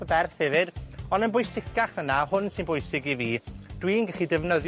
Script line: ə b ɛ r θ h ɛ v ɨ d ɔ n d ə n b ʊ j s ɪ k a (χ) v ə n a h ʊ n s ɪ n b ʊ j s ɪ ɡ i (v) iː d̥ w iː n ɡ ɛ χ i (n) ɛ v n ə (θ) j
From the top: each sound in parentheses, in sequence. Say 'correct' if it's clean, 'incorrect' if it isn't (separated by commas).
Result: correct, correct, incorrect, incorrect